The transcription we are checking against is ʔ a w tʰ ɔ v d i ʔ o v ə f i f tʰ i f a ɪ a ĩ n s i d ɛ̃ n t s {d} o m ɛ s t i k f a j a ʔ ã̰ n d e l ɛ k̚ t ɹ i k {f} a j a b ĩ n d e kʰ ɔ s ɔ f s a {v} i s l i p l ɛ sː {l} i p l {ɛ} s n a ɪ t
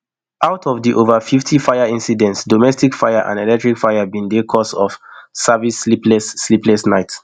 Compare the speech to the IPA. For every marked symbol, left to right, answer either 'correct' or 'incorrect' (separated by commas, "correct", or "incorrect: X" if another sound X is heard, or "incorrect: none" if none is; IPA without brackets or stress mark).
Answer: correct, correct, correct, correct, correct